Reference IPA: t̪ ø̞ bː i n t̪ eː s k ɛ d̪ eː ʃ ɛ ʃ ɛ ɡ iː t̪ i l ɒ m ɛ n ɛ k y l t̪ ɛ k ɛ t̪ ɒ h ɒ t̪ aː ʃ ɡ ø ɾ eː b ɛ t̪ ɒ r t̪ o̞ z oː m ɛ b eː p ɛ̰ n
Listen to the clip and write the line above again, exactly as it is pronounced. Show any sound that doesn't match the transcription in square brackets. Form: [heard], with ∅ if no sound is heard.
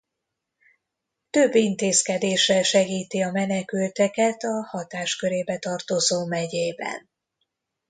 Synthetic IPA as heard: t̪ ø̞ bː i n t̪ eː s k ɛ d̪ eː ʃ ɛ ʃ ɛ ɡ iː t̪ i [∅] ɒ m ɛ n ɛ k y l t̪ ɛ k ɛ t̪ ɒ h ɒ t̪ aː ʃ [k] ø ɾ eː b ɛ t̪ ɒ r t̪ o̞ z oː m ɛ [ɟ] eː [b] ɛ̰ n